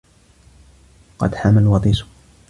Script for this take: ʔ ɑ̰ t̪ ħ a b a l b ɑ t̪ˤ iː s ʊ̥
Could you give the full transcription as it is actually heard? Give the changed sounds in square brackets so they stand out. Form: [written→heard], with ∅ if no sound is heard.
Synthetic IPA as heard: [ʔ→q] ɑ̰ [t̪→d̪] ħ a [b→m] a l [b→w] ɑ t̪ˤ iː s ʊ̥